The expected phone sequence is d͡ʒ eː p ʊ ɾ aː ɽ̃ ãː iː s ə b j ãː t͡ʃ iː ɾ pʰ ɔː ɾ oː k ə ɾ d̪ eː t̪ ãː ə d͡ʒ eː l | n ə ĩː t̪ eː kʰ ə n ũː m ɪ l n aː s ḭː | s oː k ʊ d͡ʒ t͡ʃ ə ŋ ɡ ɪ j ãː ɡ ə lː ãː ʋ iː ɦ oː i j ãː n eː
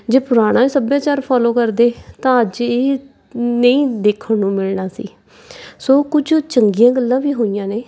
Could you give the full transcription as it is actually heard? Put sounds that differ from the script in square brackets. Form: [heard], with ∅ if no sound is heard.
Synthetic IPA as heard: d͡ʒ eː p ʊ ɾ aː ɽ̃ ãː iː s ə b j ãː t͡ʃ [aː] ɾ pʰ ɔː [l] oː k ə ɾ d̪ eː t̪ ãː ə d͡ʒ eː [∅] | n ə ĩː [d̪] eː kʰ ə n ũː m ɪ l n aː s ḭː | s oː k ʊ d͡ʒ t͡ʃ ə ŋ ɡ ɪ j ãː ɡ ə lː ãː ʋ iː ɦ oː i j ãː n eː